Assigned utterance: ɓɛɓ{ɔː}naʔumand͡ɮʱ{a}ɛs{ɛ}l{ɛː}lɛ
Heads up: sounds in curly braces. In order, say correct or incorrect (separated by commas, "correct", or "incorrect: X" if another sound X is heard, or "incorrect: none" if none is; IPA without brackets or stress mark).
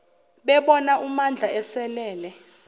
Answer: incorrect: ɔ, correct, correct, correct